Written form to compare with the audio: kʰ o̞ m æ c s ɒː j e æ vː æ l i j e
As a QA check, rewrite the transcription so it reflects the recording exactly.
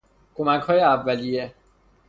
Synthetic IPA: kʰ o̞ m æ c h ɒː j e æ vː æ l i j e